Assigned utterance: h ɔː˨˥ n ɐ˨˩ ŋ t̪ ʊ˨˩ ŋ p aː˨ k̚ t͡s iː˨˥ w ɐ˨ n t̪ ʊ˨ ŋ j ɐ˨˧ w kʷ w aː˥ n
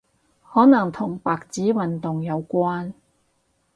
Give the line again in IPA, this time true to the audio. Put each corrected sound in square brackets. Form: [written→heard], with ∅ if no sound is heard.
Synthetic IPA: h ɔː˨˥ n ɐ˨˩ ŋ [t̪→t̪ʰ] ʊ˨˩ ŋ p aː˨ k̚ t͡s iː˨˥ w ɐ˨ n t̪ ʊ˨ ŋ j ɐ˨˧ w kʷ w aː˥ n